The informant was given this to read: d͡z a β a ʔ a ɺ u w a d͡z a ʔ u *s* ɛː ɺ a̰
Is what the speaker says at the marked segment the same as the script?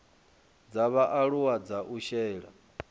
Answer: no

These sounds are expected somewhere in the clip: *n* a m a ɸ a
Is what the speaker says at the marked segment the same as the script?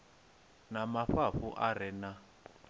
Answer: yes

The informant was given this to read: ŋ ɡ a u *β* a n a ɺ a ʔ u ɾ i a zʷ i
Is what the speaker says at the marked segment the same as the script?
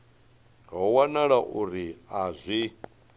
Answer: no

